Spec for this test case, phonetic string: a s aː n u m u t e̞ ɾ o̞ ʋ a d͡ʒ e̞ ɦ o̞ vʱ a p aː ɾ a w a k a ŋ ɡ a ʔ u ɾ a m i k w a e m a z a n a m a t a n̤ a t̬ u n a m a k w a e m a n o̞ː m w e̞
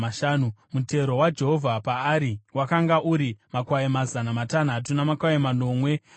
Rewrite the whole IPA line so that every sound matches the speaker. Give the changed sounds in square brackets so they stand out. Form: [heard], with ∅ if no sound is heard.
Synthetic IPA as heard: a [ʃ] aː n u m u t e̞ ɾ o̞ [w] a d͡ʒ e̞ ɦ o̞ vʱ a p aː ɾ [i] w a k a ŋ ɡ a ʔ u ɾ [i] m [a] k w a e m a z a n a m a t a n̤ a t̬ u n a m a k w a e m a n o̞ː m w e̞